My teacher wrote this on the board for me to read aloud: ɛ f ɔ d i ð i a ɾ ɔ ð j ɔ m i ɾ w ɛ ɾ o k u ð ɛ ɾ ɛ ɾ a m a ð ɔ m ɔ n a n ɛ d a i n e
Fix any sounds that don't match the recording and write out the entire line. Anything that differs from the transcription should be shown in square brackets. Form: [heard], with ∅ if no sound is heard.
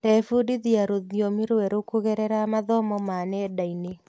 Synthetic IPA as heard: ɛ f [u] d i ð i a ɾ [o] ð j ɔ m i ɾ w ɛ ɾ o k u [ɣ] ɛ ɾ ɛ ɾ a m a ð ɔ m ɔ [m] a n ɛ d a i n e